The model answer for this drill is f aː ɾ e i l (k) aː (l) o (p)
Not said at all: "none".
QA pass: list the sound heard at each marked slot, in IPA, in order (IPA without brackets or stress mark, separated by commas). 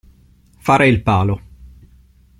p, l, none